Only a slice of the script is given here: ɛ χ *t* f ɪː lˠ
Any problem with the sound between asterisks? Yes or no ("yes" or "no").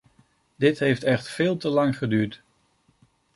no